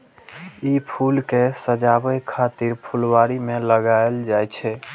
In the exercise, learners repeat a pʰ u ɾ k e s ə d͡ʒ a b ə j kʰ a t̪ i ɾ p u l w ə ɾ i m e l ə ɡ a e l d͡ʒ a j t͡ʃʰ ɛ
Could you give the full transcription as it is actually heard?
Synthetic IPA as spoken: i pʰ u l k e s ə d͡ʒ a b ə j kʰ a t̪ i ɾ pʰ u l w a ɾ i m e l ə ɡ a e l d͡ʒ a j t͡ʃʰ ɛ